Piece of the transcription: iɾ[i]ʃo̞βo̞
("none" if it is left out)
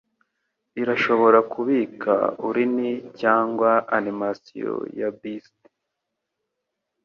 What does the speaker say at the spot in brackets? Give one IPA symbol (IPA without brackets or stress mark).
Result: a